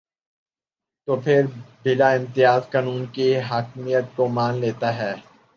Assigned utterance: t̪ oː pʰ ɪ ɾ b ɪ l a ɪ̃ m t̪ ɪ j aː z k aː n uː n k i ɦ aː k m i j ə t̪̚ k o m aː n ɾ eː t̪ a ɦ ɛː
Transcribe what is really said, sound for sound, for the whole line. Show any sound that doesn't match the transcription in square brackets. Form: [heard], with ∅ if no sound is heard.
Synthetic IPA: t̪ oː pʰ ɪ ɾ b ɪ l a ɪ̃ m t̪ ɪ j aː z k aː n uː n k i ɦ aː k m i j ə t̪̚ k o m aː n [l] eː t̪ a ɦ ɛː